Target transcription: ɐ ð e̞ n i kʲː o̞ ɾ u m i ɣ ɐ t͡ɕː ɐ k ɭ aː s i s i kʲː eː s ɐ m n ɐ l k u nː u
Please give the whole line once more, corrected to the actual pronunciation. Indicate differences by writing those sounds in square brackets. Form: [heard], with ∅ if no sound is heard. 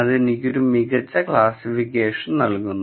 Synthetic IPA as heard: ɐ ð e̞ n i kʲː o̞ ɾ u m i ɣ ɐ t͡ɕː ɐ k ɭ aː s i [f] i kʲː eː [ʂ] ɐ [n] n ɐ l k u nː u